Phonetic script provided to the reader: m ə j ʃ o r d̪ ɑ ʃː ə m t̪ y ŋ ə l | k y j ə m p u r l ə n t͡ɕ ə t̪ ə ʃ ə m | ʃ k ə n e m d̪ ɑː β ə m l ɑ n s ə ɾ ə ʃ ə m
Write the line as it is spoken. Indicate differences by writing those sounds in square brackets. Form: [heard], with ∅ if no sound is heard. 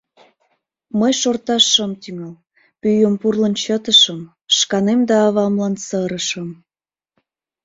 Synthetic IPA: m ə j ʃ o r [t̪] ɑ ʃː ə m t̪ y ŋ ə l | [p] y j ə m p u r l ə n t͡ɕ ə t̪ ə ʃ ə m | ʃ k [ɑ] n e m d̪ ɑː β [ɑ] m l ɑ n s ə ɾ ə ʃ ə m